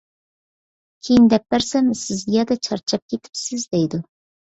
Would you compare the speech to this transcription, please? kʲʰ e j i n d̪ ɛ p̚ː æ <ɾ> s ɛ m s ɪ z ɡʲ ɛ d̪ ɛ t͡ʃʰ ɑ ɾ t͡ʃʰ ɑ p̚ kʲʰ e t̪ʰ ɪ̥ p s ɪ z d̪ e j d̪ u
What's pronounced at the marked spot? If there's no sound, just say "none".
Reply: ɾ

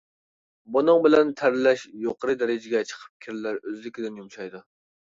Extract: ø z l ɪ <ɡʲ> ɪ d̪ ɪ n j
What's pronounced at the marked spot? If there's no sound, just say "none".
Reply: kʲ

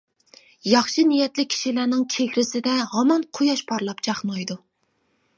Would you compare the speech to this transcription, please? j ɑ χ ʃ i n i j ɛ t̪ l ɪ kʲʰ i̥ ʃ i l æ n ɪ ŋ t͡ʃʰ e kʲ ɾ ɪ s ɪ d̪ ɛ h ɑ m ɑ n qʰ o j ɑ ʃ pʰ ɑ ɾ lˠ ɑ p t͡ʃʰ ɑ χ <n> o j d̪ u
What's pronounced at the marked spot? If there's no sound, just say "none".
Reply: n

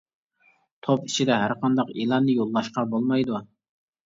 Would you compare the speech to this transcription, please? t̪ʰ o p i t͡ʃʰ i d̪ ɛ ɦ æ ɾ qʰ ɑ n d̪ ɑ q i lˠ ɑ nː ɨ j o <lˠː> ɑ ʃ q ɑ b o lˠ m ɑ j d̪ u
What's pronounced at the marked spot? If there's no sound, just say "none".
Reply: lˠː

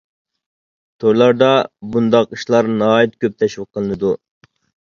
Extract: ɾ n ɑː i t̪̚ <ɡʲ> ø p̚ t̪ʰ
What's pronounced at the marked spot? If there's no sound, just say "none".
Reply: kʲ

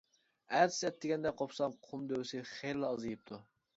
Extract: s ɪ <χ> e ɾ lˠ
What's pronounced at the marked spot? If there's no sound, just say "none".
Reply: χ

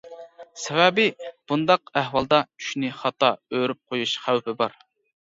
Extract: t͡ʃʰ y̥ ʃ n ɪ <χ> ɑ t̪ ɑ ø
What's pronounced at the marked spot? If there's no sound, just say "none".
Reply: χ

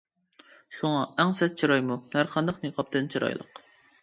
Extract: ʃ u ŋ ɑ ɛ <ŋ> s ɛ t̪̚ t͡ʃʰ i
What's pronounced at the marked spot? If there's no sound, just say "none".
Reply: ŋ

